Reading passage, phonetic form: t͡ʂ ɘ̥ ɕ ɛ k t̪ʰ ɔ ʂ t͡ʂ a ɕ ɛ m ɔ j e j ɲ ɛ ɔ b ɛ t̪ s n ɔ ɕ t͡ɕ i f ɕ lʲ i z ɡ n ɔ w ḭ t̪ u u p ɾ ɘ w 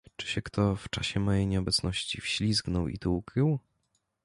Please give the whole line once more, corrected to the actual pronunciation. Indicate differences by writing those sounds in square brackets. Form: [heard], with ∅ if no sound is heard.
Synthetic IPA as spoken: t͡ʂ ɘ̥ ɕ ɛ k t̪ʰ ɔ [f] t͡ʂ a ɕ ɛ m ɔ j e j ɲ ɛ ɔ b ɛ t̪ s n ɔ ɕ t͡ɕ i f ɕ lʲ i z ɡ n ɔ w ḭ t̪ u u [k] ɾ ɘ w